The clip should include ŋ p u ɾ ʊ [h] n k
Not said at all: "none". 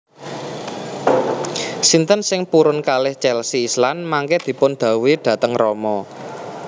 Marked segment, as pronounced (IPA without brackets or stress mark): none